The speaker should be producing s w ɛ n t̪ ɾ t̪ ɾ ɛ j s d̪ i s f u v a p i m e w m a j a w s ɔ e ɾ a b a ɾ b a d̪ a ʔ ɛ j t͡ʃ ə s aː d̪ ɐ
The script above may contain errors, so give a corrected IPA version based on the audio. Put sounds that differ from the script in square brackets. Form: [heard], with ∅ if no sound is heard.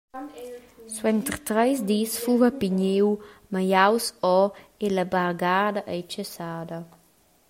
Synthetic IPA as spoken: s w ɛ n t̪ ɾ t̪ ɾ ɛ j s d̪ i s f u v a p i [ɲ] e w m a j a w s ɔ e [l] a b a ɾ [ɡ] a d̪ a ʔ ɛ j t͡ʃ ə s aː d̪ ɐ